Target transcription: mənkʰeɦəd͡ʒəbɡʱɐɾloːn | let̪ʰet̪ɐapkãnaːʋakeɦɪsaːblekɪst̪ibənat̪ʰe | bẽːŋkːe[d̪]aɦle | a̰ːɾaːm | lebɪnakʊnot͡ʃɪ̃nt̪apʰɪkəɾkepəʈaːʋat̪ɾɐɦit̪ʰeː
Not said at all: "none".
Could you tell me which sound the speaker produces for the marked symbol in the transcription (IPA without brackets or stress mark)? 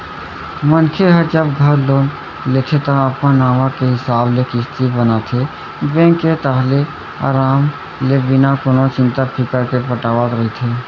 t̪